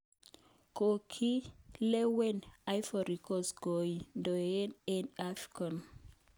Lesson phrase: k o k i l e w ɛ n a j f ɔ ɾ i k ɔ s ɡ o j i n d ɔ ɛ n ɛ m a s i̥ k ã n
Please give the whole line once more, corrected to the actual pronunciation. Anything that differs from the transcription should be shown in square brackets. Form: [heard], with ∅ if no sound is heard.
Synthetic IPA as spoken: k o [kʰ] i l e w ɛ n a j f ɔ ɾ i k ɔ s ɡ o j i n d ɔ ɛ n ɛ [n] a [f] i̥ k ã n